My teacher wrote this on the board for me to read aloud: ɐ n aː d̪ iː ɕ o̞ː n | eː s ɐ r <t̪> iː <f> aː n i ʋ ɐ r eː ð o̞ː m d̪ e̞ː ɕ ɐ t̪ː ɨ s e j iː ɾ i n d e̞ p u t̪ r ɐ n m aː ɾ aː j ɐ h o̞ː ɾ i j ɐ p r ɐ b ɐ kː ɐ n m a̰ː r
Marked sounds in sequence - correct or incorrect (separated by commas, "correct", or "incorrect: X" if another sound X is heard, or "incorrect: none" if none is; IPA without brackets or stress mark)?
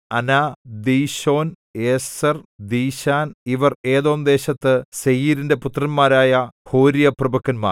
incorrect: d̪, incorrect: ɕ